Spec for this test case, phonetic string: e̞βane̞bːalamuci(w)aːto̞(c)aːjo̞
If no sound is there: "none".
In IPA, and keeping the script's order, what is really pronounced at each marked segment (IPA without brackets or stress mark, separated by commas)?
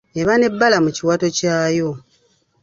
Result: w, c